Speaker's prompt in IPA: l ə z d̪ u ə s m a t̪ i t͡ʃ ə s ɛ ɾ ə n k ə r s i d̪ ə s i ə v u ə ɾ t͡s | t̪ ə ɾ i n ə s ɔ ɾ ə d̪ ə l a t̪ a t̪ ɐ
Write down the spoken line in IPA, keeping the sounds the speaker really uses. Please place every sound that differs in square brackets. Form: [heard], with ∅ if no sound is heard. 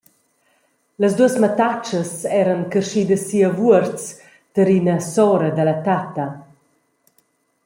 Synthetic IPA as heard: l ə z d̪ u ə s m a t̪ [a] t͡ʃ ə s ɛ ɾ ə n k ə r [ʃ] i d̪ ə s i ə v u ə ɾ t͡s | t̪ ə ɾ i n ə s ɔ ɾ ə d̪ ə l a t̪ a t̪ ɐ

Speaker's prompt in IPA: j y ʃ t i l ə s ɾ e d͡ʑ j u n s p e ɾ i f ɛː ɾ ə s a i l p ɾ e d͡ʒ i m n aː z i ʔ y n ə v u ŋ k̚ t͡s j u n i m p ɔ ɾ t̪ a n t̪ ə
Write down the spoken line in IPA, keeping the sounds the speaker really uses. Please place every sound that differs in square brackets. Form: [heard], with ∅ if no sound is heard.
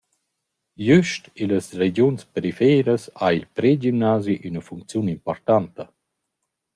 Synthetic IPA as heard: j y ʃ t i l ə s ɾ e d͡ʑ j u n s p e ɾ i f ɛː ɾ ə s a i l p ɾ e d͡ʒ i m n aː z i ʔ y n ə [f] u ŋ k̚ t͡s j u n i m p ɔ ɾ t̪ a n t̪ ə

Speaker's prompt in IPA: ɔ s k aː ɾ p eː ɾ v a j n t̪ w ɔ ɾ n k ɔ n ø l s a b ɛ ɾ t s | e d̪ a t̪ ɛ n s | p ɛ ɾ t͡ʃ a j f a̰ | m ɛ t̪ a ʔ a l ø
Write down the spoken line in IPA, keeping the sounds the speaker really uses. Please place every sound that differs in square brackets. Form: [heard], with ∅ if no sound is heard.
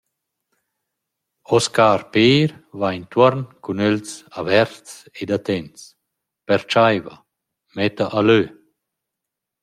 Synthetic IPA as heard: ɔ s k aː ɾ p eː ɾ v a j n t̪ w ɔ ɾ n k [u] n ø l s a [v] ɛ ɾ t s | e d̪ a t̪ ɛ n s | p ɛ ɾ t͡ʃ a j [v] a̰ | m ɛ t̪ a ʔ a l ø

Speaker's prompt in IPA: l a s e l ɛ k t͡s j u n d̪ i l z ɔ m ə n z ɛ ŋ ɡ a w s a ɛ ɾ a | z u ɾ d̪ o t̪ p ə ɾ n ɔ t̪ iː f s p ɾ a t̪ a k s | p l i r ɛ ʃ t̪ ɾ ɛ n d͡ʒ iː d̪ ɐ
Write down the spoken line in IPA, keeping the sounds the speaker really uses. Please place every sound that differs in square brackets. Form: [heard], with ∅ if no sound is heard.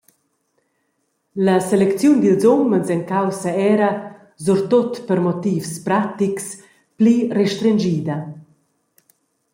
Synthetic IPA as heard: l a s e l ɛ k t͡s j u n d̪ i l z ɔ m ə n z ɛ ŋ [k] a w s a ɛ ɾ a | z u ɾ [t̪] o t̪ p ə ɾ [m] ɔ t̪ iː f s p ɾ a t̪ [i] k s | p l i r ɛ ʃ t̪ ɾ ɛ n d͡ʒ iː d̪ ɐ

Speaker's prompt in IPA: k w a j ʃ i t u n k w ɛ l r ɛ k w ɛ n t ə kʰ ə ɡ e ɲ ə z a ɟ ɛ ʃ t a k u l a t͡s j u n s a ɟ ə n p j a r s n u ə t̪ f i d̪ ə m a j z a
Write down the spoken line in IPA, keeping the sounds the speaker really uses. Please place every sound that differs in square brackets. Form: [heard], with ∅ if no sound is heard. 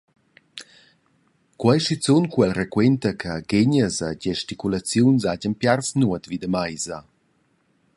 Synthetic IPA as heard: k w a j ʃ i [t͡s] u n k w ɛ l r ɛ k w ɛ n t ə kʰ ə ɡ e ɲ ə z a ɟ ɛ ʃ t [i] k u l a t͡s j u n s a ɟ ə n p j a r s n u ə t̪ [v] i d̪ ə m a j z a

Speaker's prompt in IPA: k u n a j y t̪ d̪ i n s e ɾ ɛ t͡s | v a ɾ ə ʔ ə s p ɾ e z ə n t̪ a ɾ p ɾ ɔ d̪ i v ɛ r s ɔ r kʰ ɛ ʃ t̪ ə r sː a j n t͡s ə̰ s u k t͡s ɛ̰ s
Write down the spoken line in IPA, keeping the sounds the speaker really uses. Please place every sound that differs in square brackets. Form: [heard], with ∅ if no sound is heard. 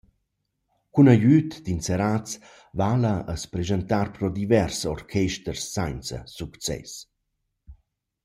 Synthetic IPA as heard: k u n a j y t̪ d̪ i n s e ɾ [a] t͡s | v a [l] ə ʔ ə s p ɾ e z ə n t̪ a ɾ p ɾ ɔ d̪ i v ɛ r s ɔ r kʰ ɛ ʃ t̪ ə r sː a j n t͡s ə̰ s u k t͡s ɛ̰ s

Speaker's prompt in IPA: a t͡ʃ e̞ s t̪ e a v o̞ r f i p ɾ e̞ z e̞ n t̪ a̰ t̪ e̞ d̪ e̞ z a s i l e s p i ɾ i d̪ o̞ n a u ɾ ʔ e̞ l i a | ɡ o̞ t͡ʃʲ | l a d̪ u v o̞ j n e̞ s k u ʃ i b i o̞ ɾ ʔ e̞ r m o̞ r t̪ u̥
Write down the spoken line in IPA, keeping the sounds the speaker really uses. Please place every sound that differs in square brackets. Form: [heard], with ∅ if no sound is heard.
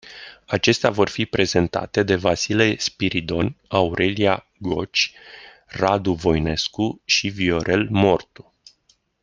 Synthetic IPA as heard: a t͡ʃ e̞ s t̪ e a v o̞ r f i p ɾ e̞ z e̞ n t̪ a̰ t̪ e̞ d̪ e̞ [v] a s i l e s p i ɾ i d̪ o̞ n a u ɾ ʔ e̞ l i a | ɡ o̞ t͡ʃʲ | [r] a d̪ u v o̞ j n e̞ s k u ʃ i [v] i o̞ ɾ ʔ e̞ [l] m o̞ r t̪ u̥

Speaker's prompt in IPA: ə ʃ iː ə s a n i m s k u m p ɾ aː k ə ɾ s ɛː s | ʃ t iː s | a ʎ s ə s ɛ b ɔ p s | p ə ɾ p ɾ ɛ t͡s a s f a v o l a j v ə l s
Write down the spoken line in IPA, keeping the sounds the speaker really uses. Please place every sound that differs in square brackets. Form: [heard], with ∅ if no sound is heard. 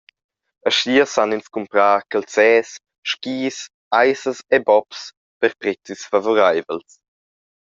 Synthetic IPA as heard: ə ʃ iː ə s a n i [n] s k u m p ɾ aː k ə [l] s ɛː s | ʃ [k] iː s | a [j] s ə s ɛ b ɔ p s | p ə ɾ p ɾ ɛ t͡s [i] s f a v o [ɾ] a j v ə l s

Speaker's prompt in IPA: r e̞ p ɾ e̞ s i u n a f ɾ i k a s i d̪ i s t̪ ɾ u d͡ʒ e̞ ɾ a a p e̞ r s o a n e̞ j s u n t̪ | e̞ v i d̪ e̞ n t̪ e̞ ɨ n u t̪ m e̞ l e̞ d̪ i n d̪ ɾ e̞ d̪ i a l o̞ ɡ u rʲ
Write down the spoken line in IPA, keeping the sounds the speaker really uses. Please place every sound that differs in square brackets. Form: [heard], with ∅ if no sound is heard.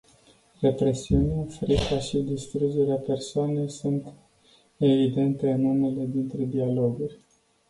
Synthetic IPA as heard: r e̞ p ɾ e̞ s i u n a f ɾ i k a [ʃ] i d̪ i s t̪ ɾ u d͡ʒ e̞ ɾ [e] a p e̞ r s o a n e̞ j s u n t̪ | e̞ v i d̪ e̞ n t̪ e̞ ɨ n u [∅] m e̞ l e̞ d̪ i n [t̪] ɾ e̞ d̪ i a l o̞ ɡ u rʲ

